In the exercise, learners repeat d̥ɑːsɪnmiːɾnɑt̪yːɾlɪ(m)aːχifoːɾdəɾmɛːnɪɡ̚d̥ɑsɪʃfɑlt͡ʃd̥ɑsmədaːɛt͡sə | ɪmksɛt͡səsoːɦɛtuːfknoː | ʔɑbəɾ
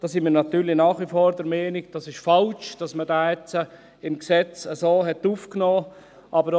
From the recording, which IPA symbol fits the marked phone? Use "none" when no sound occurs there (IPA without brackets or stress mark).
n